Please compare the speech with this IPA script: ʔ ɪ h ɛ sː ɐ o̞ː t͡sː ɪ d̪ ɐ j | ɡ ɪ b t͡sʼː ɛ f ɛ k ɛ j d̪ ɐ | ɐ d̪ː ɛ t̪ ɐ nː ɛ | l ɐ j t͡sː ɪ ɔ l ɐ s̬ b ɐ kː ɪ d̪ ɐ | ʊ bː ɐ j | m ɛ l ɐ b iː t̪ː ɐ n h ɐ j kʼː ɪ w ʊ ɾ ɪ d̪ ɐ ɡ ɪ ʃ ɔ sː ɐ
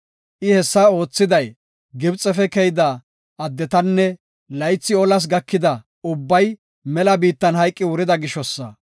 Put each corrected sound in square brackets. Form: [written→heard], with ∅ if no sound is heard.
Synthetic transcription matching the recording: ʔ ɪ h ɛ sː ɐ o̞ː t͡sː ɪ d̪ ɐ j | ɡ ɪ b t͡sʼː ɛ f ɛ k ɛ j d̪ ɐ | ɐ d̪ː ɛ t̪ ɐ nː ɛ | l ɐ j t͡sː ɪ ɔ l ɐ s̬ [b→ɡ] ɐ kː ɪ d̪ ɐ | ʊ bː ɐ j | m ɛ l ɐ b iː t̪ː ɐ n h ɐ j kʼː ɪ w ʊ ɾ ɪ d̪ ɐ ɡ ɪ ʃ ɔ sː ɐ